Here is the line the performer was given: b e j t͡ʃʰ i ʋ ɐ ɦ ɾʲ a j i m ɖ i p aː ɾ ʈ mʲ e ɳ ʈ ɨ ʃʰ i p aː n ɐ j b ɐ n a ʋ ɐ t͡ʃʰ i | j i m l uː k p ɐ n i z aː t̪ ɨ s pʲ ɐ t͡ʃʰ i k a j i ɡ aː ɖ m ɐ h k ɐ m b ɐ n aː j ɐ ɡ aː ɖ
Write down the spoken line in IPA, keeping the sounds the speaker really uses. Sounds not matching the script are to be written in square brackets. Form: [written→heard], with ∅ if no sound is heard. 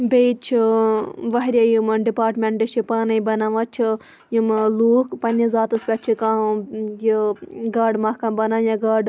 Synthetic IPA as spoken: b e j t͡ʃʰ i ʋ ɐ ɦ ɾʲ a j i m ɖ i p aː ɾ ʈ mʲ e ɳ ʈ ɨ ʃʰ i p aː n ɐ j b ɐ n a ʋ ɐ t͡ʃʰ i | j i m l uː k p ɐ n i z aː t̪ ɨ s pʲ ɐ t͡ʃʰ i k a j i ɡ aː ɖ m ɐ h k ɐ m b ɐ n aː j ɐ ɡ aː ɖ